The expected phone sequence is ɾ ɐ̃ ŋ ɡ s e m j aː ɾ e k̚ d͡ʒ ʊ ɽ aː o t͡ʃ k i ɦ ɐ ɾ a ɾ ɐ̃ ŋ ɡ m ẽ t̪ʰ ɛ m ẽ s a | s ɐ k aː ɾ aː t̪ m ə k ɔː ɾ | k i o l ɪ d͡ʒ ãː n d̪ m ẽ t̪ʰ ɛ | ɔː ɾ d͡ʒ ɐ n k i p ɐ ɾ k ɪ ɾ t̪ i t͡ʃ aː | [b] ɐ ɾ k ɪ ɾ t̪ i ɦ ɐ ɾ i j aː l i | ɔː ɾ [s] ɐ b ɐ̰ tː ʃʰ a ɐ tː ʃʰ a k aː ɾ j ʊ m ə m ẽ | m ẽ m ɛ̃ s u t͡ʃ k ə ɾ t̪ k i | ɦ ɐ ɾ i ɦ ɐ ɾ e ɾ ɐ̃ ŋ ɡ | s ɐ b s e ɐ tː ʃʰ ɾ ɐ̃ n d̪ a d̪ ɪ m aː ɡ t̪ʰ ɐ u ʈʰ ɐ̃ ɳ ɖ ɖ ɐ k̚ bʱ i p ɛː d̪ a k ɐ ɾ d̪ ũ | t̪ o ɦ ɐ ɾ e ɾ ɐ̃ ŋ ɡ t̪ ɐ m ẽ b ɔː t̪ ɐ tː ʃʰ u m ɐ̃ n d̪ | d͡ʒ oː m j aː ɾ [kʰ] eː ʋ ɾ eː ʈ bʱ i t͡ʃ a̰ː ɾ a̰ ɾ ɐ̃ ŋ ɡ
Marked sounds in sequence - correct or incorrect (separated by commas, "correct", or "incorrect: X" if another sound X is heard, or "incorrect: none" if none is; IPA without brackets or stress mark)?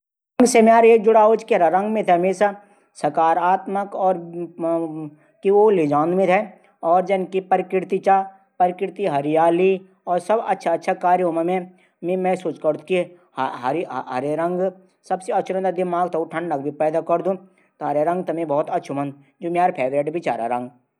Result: incorrect: p, correct, incorrect: pʰ